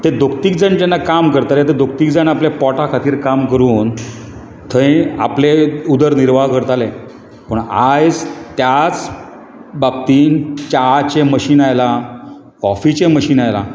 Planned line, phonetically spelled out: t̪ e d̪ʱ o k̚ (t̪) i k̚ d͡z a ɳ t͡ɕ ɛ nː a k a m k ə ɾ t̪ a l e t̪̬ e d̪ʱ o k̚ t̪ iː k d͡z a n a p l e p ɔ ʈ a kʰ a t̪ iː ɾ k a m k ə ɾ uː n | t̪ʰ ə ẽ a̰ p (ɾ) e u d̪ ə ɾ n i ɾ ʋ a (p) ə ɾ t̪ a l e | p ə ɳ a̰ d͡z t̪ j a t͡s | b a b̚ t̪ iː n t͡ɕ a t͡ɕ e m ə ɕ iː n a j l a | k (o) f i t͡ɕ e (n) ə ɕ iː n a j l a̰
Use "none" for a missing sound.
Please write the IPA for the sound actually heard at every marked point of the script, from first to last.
t̪, l, k, ɔ, m

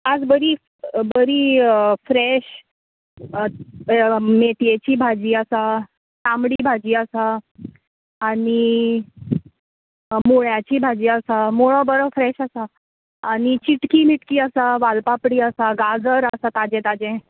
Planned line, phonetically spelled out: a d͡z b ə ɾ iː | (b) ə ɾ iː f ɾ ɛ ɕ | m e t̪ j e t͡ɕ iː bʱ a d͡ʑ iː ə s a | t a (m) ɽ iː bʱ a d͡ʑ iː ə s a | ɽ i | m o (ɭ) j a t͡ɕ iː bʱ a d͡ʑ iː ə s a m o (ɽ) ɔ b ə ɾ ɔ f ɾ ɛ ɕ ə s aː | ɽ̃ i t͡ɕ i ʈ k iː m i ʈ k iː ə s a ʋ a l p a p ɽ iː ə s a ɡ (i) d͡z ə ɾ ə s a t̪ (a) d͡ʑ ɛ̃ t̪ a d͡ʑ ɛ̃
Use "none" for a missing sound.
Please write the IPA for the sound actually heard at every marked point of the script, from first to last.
b, m, ɭ, ɭ, a, a

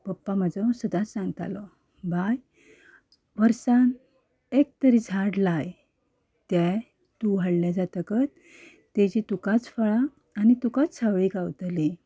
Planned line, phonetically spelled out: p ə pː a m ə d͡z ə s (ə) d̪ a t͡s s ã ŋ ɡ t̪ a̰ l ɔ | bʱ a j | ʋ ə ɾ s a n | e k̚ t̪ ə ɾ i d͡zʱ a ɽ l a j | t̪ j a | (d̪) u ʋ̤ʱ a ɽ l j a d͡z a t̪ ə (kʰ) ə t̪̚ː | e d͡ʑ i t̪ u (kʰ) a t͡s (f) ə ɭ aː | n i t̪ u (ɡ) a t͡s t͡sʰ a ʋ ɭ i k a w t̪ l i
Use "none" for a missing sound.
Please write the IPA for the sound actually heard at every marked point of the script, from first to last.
ə, t̪, k, k, f, k

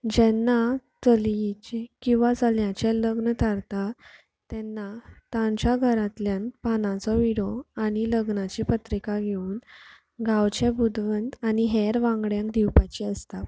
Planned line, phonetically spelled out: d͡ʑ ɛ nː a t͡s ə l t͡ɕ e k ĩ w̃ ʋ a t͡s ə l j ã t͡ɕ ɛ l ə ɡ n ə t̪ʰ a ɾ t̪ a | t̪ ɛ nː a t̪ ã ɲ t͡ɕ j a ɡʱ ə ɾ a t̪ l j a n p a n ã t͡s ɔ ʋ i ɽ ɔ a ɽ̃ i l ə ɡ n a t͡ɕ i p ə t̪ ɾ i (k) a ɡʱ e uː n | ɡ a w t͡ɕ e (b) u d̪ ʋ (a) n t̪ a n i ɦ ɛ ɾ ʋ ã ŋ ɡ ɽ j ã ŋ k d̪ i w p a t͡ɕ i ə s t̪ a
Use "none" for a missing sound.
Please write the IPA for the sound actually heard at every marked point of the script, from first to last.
k, b, ə

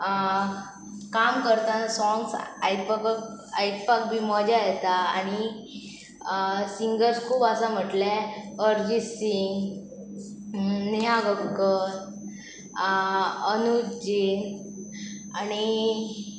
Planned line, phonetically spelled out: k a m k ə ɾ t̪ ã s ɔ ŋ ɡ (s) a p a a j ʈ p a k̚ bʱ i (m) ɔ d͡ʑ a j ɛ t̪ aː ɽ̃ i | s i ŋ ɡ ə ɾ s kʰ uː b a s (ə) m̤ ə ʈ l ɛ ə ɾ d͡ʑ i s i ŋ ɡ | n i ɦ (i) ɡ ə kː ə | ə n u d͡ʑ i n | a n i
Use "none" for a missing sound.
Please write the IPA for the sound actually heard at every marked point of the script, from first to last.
s, m, a, a

